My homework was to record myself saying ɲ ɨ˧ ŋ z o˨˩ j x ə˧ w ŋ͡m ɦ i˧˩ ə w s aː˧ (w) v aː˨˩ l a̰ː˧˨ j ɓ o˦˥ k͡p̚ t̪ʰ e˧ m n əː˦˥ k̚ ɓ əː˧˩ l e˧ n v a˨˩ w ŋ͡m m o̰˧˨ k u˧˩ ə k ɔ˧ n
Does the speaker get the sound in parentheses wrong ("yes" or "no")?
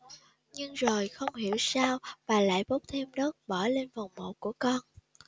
no